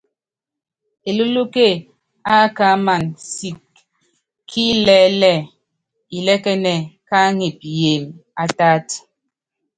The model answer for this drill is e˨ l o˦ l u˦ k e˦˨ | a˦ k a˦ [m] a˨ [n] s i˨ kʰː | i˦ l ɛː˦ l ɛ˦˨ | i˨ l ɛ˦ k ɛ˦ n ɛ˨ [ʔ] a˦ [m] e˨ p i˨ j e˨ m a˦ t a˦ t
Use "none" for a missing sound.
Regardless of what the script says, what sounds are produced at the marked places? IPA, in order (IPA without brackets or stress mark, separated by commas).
m, n, k, ŋ